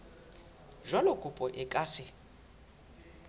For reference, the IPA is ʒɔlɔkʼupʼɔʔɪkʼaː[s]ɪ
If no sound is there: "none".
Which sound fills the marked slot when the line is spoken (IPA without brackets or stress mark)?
s